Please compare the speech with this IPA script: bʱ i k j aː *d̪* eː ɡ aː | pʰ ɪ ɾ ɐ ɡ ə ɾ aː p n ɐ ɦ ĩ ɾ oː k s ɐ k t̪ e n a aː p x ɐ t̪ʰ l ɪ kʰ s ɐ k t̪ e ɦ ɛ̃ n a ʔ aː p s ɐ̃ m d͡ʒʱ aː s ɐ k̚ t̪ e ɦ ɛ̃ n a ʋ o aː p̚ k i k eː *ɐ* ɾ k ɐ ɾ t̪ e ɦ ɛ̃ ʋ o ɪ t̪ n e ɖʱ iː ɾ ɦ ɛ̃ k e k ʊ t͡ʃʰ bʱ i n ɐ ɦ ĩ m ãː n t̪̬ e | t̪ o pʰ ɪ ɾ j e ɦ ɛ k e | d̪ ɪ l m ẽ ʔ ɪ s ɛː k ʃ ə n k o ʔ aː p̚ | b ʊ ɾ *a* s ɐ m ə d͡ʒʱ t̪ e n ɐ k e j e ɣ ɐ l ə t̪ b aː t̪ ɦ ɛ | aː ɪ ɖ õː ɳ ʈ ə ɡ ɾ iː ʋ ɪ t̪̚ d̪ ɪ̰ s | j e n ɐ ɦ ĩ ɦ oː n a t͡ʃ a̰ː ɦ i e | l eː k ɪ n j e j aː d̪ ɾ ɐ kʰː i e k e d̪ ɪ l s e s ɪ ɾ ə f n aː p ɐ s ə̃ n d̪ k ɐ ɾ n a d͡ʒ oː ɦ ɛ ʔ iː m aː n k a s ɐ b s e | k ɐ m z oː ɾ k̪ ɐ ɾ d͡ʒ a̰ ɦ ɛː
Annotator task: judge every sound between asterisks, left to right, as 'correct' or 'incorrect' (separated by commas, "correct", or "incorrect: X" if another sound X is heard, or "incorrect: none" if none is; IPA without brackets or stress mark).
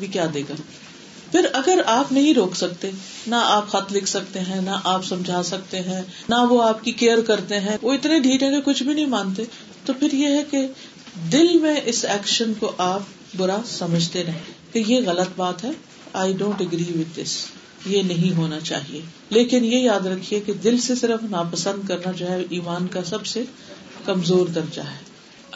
correct, incorrect: ə, correct